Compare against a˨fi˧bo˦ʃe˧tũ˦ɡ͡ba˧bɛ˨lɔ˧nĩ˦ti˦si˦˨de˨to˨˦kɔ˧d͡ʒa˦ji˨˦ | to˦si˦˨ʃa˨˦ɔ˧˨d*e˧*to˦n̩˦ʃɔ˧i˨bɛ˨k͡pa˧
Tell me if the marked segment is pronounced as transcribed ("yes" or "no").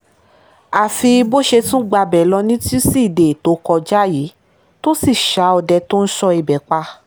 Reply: no